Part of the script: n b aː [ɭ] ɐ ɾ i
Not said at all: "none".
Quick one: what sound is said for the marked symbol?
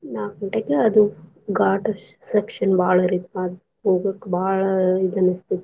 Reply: ɭ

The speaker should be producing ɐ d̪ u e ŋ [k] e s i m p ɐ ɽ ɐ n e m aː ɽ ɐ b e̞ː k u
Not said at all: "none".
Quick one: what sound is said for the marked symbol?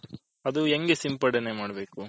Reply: ɡ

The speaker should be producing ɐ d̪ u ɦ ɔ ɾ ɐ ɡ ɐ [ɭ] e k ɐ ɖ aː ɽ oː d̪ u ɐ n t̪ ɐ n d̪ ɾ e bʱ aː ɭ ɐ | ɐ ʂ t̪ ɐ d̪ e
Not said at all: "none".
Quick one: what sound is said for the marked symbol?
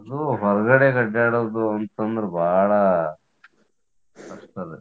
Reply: ɽ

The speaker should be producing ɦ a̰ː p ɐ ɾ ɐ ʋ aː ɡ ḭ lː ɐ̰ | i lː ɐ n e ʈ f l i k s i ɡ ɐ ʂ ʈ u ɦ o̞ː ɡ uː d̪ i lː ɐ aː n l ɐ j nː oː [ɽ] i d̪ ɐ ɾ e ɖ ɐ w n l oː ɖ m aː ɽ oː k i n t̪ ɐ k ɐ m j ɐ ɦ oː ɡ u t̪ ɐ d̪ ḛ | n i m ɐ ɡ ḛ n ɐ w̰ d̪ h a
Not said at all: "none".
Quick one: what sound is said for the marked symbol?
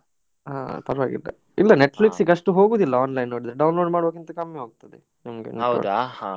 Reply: ɽ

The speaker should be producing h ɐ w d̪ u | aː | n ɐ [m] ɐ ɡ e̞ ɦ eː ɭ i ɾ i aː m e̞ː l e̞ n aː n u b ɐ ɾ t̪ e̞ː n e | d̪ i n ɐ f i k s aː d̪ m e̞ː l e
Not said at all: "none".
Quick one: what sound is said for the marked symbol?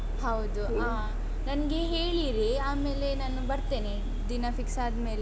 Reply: n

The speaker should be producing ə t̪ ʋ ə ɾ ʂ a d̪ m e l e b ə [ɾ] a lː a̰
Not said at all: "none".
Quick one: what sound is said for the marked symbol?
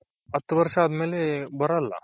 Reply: ɾ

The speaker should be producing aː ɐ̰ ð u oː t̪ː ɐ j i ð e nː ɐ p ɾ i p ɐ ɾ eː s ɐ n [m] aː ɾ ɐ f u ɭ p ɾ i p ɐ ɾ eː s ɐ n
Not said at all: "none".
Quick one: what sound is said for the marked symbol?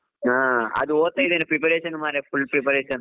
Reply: m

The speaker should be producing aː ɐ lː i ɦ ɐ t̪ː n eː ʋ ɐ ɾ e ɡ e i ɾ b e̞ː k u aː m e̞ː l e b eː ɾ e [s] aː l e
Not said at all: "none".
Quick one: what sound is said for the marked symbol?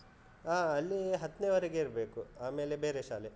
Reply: ʃ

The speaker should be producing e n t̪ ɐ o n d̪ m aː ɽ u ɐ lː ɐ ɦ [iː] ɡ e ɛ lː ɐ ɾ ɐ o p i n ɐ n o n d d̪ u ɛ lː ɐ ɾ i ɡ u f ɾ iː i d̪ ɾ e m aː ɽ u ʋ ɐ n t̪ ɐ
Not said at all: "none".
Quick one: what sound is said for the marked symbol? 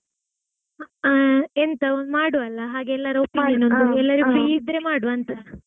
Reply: aː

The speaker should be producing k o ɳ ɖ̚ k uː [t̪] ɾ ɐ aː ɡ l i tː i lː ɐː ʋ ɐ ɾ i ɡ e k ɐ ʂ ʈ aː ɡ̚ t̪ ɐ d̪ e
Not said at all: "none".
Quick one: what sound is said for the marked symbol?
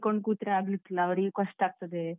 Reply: t̪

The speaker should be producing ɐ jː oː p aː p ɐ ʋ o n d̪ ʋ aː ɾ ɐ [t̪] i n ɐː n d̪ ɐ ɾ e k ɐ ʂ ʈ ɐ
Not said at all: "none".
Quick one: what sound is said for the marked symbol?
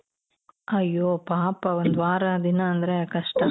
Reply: d̪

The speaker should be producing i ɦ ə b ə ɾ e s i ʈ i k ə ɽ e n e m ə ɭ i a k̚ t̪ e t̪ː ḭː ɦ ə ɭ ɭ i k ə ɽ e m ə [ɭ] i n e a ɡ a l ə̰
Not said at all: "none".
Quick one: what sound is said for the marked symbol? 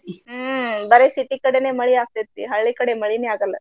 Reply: ɭ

